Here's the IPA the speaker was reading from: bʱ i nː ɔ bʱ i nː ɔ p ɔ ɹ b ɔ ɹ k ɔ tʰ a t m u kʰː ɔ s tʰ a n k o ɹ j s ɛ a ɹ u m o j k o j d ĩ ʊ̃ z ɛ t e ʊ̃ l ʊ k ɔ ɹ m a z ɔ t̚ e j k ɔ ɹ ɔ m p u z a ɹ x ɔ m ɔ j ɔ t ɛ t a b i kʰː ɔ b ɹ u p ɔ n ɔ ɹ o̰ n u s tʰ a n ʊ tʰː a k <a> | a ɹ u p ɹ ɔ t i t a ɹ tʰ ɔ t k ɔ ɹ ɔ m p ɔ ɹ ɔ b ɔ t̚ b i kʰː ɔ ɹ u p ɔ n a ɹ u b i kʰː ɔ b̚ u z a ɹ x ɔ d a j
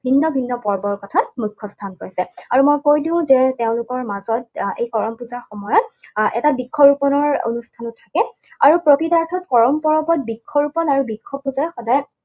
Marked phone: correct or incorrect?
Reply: incorrect: ɛ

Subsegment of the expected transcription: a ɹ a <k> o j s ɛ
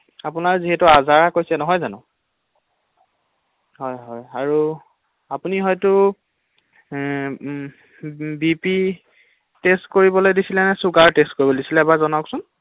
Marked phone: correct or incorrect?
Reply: correct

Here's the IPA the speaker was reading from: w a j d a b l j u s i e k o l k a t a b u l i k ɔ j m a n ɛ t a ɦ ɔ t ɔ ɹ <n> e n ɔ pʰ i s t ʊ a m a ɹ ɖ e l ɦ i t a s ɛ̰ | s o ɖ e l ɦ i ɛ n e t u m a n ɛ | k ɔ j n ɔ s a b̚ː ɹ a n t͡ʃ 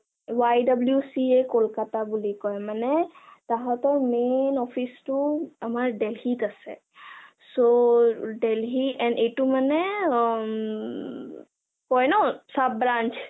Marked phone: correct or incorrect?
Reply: incorrect: m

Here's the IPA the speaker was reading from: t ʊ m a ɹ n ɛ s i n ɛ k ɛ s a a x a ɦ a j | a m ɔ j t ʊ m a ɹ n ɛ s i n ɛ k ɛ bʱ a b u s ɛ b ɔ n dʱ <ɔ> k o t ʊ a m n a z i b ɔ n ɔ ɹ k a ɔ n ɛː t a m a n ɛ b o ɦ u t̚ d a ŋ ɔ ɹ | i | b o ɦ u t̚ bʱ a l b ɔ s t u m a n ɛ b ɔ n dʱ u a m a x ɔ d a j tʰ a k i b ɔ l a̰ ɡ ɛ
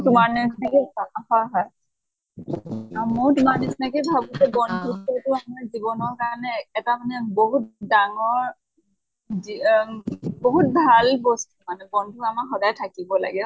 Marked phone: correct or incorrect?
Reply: incorrect: u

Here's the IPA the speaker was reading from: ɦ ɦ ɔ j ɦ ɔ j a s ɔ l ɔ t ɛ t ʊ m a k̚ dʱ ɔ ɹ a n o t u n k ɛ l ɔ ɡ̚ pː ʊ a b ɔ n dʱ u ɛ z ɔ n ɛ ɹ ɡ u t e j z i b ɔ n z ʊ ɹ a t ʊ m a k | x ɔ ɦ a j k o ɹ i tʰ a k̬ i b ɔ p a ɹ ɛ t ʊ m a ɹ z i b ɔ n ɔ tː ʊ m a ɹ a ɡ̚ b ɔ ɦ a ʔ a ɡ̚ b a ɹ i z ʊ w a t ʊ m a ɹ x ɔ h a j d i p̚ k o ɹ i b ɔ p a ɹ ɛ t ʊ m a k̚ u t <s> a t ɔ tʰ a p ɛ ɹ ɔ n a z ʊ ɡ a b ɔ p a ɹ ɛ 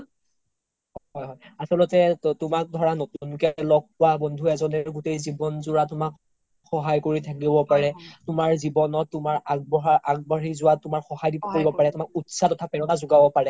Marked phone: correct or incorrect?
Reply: correct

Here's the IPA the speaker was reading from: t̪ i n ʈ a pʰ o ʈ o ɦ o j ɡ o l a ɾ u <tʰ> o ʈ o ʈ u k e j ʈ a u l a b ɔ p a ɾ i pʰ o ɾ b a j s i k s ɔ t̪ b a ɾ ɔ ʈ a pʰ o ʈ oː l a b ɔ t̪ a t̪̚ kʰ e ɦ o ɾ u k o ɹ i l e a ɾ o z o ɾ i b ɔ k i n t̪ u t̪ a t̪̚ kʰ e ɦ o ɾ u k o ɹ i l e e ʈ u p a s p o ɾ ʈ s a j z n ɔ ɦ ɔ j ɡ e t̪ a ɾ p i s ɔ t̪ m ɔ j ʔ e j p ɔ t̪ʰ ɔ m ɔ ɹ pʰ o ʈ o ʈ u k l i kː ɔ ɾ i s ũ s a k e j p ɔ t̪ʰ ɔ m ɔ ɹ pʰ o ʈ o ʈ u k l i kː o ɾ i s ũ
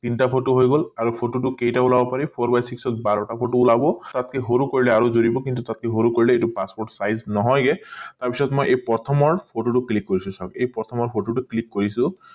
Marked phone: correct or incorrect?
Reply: incorrect: pʰ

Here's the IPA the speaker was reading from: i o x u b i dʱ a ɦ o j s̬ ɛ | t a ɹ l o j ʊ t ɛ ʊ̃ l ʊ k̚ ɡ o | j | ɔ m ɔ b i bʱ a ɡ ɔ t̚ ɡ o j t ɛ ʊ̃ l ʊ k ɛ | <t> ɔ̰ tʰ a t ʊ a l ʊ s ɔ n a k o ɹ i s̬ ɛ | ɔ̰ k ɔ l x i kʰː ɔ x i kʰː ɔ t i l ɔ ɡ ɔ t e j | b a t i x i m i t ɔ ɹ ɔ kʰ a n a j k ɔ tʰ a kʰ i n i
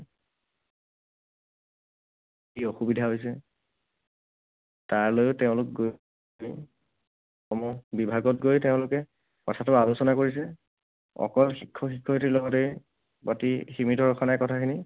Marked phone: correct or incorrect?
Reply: incorrect: k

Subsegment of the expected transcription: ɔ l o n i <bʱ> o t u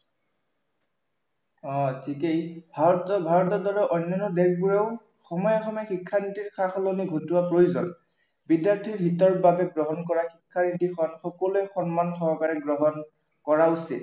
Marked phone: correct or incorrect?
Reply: incorrect: ɡʱ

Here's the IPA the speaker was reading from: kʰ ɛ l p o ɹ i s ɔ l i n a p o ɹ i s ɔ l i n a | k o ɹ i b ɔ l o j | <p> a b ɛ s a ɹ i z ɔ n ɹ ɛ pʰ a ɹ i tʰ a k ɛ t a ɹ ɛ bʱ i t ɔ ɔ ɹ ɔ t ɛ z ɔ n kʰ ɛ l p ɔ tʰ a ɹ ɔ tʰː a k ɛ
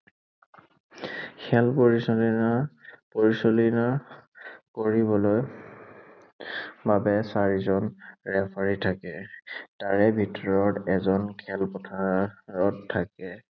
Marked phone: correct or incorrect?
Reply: incorrect: b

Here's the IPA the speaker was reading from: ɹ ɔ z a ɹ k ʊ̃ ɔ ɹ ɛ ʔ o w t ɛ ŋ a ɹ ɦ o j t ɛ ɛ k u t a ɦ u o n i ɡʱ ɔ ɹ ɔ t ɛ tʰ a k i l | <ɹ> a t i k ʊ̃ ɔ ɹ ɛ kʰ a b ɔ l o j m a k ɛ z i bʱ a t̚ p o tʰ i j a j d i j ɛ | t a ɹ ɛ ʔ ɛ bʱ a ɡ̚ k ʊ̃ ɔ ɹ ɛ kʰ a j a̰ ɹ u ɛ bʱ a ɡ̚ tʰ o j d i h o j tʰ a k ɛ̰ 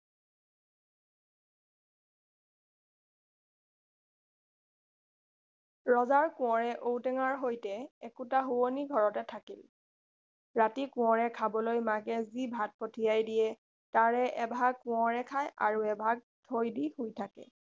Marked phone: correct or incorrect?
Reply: correct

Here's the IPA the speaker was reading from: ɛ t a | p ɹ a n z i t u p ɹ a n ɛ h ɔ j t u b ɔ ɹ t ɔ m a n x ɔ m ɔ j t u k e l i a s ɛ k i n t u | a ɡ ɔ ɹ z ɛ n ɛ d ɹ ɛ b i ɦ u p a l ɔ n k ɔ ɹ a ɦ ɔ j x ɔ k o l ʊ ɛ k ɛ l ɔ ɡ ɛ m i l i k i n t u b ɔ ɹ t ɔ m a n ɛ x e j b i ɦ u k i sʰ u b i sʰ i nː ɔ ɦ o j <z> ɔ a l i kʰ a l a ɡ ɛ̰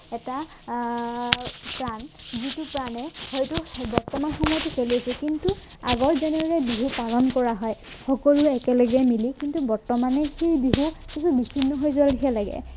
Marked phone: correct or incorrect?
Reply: correct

